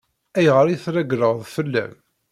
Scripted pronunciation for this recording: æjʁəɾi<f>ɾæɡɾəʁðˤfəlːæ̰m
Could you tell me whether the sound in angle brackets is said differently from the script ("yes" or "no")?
yes